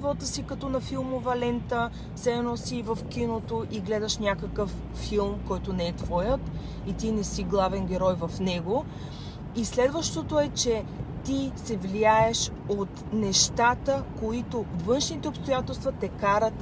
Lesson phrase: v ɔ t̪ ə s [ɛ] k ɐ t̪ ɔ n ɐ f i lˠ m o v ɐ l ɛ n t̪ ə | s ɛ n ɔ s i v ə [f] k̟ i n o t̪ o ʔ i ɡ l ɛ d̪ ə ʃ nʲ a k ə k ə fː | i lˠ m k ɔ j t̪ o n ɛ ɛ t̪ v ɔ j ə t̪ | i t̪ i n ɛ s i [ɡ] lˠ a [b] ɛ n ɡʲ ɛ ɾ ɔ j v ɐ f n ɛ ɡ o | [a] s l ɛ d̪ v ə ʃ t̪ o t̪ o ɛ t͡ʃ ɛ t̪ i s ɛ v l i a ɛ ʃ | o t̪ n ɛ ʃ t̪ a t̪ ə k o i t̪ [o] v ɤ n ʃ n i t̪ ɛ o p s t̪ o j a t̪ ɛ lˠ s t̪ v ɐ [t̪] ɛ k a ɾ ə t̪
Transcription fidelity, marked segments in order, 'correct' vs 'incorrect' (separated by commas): incorrect, correct, correct, incorrect, incorrect, correct, correct